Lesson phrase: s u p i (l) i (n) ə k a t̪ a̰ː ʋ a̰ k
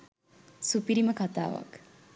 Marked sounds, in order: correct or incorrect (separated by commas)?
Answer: incorrect, incorrect